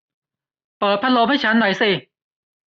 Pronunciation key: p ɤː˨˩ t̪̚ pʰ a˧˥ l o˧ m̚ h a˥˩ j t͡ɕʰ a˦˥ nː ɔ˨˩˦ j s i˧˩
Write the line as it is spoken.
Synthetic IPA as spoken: p ɤː˨˩ t̪̚ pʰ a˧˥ l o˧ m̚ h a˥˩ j t͡ɕʰ a˦˥ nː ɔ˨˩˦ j s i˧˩